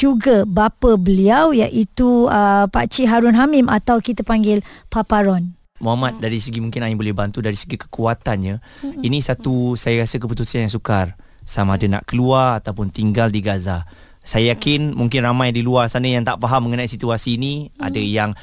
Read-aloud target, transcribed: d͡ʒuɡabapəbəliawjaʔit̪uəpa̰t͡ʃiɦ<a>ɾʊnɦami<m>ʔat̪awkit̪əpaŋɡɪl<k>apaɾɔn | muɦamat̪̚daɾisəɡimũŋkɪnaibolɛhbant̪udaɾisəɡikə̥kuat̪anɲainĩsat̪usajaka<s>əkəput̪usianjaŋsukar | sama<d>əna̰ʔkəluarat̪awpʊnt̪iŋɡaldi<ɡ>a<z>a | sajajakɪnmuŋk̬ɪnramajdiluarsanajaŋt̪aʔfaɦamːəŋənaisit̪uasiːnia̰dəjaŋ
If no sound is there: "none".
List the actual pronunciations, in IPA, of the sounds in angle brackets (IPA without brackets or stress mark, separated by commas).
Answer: a, m, p, s, d, ɡ, z